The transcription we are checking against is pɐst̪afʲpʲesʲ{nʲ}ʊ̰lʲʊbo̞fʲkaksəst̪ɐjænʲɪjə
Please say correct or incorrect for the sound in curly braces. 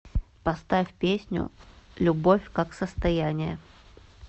correct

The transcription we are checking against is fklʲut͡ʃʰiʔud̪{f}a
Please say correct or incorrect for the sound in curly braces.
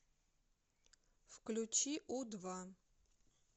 incorrect: v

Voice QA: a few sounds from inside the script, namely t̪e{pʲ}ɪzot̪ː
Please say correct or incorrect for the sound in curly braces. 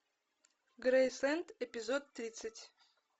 correct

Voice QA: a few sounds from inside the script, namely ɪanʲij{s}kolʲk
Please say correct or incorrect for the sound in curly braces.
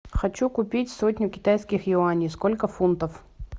correct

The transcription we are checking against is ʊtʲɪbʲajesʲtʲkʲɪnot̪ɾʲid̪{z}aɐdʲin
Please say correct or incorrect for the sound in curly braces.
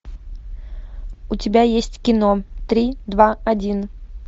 incorrect: v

